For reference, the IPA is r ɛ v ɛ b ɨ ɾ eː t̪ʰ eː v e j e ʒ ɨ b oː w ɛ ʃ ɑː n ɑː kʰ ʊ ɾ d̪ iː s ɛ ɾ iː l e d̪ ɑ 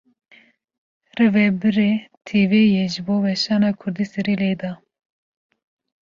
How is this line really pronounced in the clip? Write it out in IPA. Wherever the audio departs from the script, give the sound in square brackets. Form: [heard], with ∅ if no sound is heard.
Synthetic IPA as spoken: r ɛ v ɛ b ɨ ɾ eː t̪ʰ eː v e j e ʒ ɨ b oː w ɛ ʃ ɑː n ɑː kʰ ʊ ɾ d̪ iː s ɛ ɾ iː l e d̪ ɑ